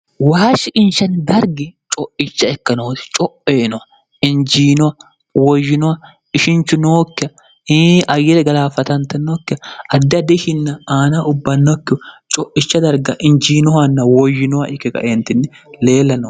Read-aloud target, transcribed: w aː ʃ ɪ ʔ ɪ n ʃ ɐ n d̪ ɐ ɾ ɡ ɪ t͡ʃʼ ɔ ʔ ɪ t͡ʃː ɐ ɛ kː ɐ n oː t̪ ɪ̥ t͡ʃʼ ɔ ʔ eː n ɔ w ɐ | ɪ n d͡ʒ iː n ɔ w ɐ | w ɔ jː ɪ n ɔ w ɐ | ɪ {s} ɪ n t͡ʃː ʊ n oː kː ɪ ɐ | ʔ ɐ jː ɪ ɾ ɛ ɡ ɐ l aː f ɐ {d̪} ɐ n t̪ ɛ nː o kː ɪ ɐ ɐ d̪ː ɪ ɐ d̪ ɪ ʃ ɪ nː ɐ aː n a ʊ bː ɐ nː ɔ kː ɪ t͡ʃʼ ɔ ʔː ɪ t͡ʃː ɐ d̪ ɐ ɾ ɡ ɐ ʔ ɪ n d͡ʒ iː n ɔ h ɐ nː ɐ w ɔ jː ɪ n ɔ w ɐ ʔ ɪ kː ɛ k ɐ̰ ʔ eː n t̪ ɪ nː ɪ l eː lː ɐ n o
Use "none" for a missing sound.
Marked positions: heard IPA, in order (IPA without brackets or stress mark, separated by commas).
ʃ, t̪